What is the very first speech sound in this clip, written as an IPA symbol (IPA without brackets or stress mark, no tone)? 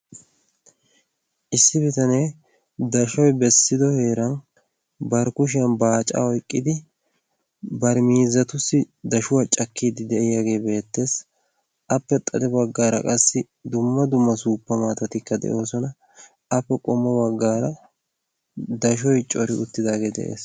ʔ